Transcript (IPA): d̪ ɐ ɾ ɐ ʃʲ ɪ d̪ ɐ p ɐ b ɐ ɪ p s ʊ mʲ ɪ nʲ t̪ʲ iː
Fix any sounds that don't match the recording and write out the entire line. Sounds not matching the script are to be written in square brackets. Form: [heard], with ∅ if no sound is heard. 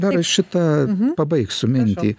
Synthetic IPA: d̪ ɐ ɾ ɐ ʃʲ ɪ [t̪] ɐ p ɐ b ɐ ɪ [k] s ʊ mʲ ɪ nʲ t̪ʲ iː